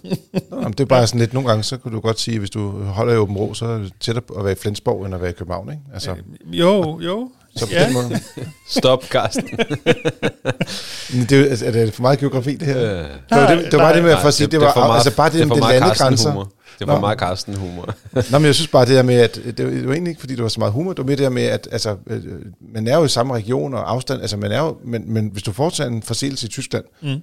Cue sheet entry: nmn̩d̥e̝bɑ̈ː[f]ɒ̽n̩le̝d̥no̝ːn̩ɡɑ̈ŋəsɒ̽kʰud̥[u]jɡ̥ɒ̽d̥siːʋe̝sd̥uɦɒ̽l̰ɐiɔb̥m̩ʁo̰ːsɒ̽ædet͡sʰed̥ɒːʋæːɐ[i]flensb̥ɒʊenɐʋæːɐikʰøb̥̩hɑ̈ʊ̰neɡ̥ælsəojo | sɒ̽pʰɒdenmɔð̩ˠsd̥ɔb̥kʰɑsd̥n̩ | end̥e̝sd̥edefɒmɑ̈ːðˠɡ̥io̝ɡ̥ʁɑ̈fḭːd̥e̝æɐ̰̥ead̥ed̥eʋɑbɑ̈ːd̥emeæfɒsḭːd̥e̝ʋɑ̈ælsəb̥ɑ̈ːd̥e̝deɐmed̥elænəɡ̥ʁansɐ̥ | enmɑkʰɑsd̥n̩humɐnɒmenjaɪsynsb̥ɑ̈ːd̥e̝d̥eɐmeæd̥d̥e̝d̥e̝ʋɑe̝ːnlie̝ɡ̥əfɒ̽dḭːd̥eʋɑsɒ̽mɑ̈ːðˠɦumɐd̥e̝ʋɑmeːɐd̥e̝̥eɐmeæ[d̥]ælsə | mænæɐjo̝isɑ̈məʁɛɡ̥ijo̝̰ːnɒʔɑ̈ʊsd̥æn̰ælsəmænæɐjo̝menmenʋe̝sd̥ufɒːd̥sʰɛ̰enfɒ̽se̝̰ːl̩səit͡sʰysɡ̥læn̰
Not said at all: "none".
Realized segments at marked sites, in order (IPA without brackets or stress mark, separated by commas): s, u, i, d̥